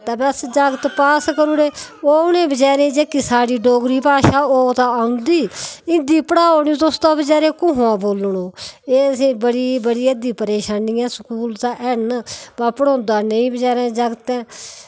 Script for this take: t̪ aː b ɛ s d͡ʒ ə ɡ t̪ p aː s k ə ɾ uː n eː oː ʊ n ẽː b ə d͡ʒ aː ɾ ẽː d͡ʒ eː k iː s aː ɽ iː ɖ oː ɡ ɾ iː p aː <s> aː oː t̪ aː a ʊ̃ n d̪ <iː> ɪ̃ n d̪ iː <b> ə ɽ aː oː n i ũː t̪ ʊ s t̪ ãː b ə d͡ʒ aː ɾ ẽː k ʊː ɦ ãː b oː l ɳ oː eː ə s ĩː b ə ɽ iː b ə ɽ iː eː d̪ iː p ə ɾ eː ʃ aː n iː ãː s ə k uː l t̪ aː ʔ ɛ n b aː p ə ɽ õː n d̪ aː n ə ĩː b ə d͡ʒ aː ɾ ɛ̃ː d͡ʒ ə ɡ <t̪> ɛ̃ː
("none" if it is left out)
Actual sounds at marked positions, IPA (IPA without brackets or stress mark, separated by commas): ʃ, iː, p, t̪